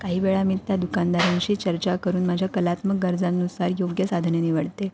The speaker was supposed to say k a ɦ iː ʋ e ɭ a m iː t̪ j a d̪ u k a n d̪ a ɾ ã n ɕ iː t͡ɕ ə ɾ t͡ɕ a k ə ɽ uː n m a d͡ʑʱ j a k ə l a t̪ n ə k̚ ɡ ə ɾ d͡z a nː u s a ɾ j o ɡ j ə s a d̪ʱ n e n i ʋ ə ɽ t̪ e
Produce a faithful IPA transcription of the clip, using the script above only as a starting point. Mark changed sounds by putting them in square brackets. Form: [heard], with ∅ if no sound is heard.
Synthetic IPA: k a ɦ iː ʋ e ɭ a m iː t̪ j a d̪ u k a n d̪ a ɾ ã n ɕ iː t͡ɕ ə ɾ t͡ɕ a k ə [ɾ] uː n m a d͡ʑʱ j a k ə l a t̪ [m] ə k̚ ɡ ə ɾ d͡z a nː u s a ɾ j o ɡ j ə s a d̪ʱ n e n i ʋ ə ɽ t̪ e